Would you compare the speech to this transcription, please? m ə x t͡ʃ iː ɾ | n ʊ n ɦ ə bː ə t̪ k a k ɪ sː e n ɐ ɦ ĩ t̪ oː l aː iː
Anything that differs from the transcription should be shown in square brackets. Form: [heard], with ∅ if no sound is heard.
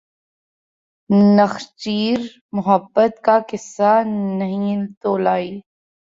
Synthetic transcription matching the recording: [n] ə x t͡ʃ iː ɾ | [m] ʊ [∅] ɦ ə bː ə t̪ k a k ɪ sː [a] n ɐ ɦ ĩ t̪ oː l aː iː